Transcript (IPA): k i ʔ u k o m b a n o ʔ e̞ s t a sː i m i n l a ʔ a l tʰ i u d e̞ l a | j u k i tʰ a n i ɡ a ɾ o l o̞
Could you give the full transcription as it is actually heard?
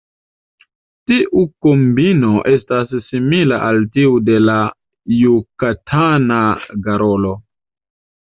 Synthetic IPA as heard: t i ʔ u k o m b i n o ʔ e̞ s t a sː i m i l a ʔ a l t i u d e̞ l a | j u k a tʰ a n a ɡ a ɾ o l o̞